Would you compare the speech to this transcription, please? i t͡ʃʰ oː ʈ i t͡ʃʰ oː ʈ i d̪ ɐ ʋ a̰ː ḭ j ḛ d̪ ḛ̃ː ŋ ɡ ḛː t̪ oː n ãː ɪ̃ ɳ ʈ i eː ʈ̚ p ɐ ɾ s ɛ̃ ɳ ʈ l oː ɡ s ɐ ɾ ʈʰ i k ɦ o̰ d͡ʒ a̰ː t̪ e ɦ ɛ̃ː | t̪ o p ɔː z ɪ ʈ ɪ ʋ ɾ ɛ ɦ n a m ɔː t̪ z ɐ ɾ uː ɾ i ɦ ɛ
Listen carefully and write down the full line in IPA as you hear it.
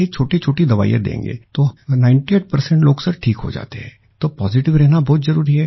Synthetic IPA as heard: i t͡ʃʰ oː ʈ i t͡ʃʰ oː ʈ i d̪ ɐ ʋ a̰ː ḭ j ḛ d̪ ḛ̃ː ŋ ɡ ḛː t̪ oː n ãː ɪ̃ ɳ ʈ i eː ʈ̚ p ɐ ɾ s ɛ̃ ɳ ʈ l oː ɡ s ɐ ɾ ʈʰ iː k ɦ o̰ d͡ʒ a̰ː t̪ e ɦ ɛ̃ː | t̪ o p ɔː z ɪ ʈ ɪ ʋ ɾ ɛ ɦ n a b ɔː t̪ z ɐ ɾ uː ɾ i ɦ ɛ